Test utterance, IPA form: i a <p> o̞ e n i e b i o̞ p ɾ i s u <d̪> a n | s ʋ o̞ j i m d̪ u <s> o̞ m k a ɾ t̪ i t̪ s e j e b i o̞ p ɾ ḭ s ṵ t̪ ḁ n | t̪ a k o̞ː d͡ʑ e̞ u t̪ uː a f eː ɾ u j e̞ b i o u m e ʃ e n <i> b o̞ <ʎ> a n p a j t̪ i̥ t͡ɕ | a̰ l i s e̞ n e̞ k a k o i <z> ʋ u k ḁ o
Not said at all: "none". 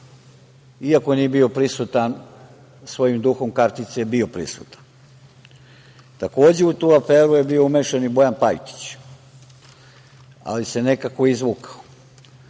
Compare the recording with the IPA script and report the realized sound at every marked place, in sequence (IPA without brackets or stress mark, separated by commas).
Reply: k, t̪, x, i, j, z